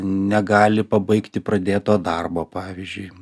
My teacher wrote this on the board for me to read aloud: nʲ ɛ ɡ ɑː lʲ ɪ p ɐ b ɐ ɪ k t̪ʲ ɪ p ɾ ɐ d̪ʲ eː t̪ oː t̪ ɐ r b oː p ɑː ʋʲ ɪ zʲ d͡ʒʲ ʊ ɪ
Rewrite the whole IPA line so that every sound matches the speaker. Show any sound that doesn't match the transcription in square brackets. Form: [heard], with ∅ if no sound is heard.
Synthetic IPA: nʲ ɛ ɡ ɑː lʲ ɪ p ɐ b ɐ ɪ k t̪ʲ ɪ p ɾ ɐ d̪ʲ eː t̪ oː [d̪] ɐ r b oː p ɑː ʋʲ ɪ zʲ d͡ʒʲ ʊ ɪ